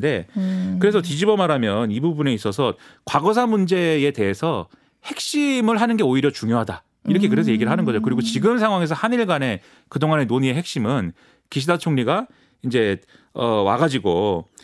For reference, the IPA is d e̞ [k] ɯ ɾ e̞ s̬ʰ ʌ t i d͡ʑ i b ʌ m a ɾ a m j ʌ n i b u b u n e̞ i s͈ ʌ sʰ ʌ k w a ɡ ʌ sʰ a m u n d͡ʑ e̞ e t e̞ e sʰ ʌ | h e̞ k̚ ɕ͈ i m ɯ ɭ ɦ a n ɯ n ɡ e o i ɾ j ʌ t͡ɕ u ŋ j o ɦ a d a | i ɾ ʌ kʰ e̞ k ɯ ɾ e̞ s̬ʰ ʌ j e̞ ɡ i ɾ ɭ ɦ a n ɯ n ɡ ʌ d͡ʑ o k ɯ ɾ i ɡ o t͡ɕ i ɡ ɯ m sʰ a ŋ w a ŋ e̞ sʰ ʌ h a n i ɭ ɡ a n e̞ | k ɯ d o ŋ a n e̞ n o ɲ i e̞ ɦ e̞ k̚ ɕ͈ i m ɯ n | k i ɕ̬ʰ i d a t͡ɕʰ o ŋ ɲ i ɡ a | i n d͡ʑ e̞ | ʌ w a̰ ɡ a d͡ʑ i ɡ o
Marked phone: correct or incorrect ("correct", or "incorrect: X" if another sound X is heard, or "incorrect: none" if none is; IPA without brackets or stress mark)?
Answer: correct